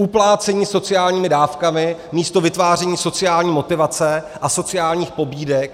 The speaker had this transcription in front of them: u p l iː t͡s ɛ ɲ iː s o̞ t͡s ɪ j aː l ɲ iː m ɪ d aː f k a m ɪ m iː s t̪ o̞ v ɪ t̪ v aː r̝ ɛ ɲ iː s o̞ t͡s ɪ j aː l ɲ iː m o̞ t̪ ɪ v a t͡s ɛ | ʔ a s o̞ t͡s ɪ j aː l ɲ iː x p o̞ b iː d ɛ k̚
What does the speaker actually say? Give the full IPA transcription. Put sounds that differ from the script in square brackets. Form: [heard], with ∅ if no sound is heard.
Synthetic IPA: u p l [aː] t͡s ɛ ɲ iː s o̞ t͡s ɪ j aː l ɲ iː m ɪ d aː f k a m ɪ m iː s t̪ o̞ v ɪ t̪ v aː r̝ ɛ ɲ iː s o̞ t͡s ɪ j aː l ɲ iː m o̞ t̪ ɪ v a t͡s ɛ | ʔ a s o̞ t͡s ɪ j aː l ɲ iː x p o̞ b iː d ɛ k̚